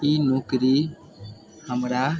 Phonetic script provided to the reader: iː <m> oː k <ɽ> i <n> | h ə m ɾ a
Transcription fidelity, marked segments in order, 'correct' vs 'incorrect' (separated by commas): incorrect, incorrect, incorrect